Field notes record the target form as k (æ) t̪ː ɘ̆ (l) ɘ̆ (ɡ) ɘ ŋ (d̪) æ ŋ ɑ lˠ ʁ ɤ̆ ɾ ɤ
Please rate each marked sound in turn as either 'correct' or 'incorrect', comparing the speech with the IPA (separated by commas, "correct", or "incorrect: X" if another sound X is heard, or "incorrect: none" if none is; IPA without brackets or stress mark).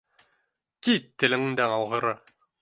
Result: incorrect: i, correct, incorrect: ŋ, correct